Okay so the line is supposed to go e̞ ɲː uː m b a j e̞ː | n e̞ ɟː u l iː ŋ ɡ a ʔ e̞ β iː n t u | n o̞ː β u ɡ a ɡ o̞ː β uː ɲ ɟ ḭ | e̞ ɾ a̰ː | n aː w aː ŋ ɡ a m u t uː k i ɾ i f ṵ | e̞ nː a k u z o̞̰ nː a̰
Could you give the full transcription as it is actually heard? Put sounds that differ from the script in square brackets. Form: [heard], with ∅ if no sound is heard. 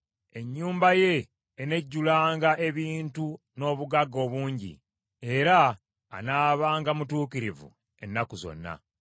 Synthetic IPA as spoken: e̞ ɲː uː m b a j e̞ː | n e̞ ɟː u l [aː] ŋ ɡ a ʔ e̞ β iː n t u | n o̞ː β u ɡ a ɡ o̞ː β uː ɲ ɟ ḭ | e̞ ɾ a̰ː | n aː [β] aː ŋ ɡ a m u t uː k i ɾ i [v] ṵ | e̞ nː a k u z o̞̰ nː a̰